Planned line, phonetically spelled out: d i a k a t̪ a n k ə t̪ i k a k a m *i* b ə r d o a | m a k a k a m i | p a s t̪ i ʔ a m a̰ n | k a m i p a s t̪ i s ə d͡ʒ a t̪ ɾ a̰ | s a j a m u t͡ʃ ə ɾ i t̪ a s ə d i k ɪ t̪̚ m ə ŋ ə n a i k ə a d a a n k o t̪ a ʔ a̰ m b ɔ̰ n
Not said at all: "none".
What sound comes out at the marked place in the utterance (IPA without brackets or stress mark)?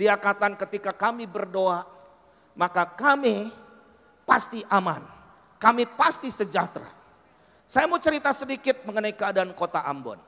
i